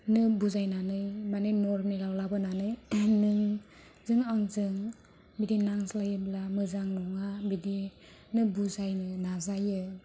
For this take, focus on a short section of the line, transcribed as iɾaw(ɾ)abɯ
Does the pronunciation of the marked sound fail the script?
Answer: yes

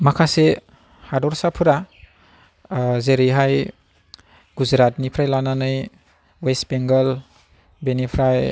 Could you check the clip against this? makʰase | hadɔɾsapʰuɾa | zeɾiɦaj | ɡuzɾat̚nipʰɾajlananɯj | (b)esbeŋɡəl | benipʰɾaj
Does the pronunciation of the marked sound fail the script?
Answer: yes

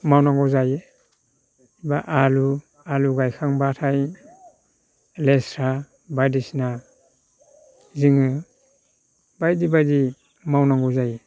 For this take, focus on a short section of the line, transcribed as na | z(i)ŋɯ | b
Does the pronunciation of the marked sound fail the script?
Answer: no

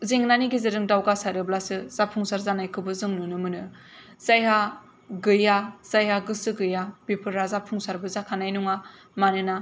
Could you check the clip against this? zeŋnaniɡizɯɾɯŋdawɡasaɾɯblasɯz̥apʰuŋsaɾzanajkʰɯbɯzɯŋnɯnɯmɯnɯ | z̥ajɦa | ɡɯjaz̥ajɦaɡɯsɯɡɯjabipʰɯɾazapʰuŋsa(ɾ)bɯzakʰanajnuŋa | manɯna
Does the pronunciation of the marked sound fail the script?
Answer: no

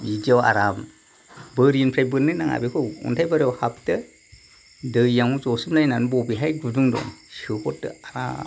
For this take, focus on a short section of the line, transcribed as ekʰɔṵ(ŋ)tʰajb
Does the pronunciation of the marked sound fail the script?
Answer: yes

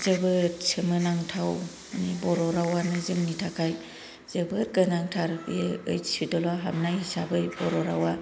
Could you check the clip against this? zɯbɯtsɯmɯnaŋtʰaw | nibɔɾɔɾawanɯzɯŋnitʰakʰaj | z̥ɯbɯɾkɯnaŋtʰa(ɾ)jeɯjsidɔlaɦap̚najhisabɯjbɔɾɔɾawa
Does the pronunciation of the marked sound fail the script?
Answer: no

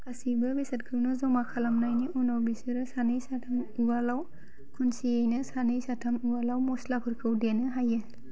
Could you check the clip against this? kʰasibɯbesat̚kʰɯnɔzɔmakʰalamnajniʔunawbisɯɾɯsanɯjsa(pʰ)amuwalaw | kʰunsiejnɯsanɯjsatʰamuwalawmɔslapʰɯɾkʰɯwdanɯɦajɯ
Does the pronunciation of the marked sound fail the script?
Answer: yes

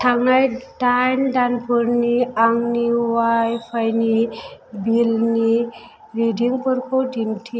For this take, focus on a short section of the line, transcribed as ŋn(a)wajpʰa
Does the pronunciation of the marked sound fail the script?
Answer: yes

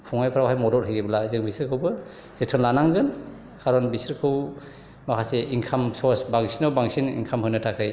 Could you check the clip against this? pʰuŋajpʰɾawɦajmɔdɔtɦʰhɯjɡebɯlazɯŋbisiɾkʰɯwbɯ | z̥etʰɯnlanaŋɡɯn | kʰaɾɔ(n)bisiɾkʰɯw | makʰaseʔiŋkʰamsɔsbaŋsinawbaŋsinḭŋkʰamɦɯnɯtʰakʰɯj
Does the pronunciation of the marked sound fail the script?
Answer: no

